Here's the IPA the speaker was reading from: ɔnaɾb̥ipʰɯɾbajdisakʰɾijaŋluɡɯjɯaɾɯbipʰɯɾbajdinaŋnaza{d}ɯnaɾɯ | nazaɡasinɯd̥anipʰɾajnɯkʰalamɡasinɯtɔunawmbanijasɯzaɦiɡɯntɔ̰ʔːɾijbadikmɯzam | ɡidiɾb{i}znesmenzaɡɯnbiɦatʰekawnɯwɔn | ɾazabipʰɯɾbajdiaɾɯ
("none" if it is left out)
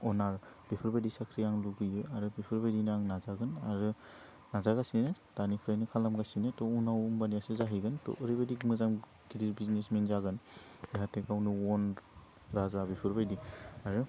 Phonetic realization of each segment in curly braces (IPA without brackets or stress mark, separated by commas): ɡ, i